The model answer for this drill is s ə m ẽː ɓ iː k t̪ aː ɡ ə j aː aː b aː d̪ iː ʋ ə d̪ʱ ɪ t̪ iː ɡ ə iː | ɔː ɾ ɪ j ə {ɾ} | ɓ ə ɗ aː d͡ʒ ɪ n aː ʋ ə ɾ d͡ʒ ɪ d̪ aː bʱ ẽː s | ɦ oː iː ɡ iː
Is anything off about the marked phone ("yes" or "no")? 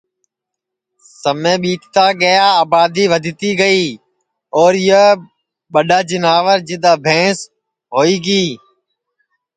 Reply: yes